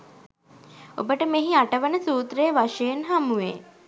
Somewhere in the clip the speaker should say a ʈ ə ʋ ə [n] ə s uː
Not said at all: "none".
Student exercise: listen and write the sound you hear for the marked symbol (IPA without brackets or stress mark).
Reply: n